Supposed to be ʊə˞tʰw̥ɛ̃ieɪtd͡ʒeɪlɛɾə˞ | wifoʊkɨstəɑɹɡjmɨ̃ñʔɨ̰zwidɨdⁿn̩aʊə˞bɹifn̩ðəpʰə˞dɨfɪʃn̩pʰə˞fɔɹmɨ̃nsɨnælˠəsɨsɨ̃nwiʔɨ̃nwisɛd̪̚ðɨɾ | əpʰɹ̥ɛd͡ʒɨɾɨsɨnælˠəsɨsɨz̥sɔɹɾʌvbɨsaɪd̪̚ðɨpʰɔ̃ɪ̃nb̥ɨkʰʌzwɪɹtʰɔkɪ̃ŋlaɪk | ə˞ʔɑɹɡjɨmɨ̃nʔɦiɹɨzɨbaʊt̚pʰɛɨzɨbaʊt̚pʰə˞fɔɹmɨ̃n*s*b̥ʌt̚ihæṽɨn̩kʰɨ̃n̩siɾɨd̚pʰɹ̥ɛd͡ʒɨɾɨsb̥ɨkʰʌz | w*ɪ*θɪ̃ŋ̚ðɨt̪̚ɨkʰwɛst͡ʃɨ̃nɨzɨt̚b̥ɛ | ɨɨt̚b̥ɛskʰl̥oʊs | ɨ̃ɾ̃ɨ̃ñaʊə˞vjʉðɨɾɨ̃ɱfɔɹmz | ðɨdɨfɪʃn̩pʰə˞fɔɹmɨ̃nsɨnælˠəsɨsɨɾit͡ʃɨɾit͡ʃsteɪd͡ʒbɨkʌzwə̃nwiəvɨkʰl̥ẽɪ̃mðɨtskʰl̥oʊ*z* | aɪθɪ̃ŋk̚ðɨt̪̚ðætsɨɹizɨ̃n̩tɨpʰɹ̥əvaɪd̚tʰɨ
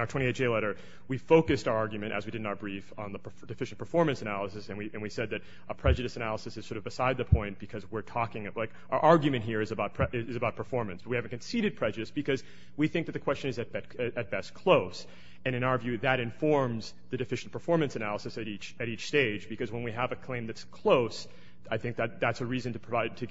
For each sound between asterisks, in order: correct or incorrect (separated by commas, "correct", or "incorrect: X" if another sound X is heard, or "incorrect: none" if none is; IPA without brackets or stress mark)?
correct, incorrect: i, incorrect: s